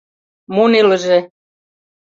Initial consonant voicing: voiced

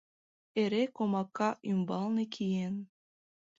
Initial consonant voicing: voiced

